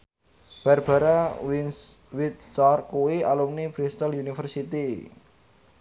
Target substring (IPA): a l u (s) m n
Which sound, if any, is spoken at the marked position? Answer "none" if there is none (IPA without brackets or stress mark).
none